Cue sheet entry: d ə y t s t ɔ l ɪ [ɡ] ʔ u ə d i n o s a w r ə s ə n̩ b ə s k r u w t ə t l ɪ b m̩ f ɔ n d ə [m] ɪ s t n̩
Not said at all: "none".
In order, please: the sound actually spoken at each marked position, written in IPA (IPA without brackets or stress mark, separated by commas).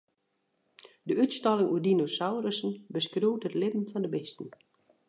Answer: ŋ, b